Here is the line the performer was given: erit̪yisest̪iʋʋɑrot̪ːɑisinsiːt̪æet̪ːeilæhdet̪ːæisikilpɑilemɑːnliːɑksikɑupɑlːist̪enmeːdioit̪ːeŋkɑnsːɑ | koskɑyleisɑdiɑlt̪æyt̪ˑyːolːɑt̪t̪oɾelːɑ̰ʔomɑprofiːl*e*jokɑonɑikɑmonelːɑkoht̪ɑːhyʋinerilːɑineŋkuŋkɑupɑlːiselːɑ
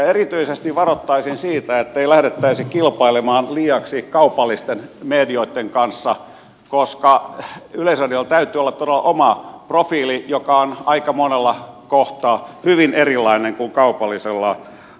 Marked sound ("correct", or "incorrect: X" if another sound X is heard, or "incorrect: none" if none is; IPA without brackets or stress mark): incorrect: i